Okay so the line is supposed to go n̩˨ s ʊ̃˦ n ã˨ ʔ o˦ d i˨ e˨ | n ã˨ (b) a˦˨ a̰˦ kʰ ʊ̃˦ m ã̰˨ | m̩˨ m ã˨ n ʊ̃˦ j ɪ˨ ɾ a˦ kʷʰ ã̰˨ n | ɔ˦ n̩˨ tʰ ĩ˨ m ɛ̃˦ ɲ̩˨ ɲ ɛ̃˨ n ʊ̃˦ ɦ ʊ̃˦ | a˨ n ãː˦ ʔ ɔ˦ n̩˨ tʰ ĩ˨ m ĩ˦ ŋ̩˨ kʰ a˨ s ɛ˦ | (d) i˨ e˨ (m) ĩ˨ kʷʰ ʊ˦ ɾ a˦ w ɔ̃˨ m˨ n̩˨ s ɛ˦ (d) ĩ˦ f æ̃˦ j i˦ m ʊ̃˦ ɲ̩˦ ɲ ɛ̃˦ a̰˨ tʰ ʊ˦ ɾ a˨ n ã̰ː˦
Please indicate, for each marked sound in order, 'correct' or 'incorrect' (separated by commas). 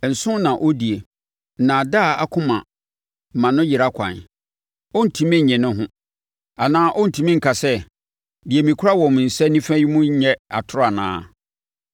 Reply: incorrect, correct, correct, incorrect